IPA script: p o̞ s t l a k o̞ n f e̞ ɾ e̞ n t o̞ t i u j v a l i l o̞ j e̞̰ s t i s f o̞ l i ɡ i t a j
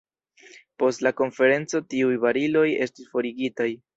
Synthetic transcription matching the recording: p o̞ s t l a k o̞ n f e̞ ɾ e̞ n t͡s o̞ t i u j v a ɾ i l o̞ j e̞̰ s t i s f o̞ ɾ i ɡ i t a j